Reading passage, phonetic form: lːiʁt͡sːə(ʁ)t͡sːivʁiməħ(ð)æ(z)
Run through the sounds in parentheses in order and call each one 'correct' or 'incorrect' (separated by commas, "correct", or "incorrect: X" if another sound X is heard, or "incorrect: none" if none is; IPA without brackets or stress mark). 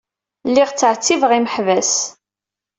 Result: incorrect: ʕ, incorrect: v, incorrect: s